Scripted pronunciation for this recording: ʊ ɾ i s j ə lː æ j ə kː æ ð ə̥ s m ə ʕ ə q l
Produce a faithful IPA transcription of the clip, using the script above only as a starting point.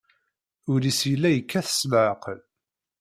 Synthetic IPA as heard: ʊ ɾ i s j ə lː æ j ə kː æ θ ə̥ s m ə ʕ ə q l